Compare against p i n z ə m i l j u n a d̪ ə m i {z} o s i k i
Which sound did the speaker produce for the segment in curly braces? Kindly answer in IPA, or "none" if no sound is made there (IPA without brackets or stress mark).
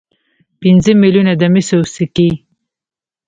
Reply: s